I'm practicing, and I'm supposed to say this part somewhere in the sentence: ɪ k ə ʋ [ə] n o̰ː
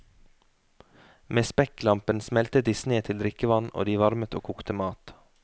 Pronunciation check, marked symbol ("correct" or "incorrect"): incorrect